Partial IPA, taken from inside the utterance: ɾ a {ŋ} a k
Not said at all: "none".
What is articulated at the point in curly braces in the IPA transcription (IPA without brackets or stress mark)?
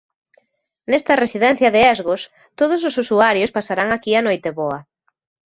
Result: ŋ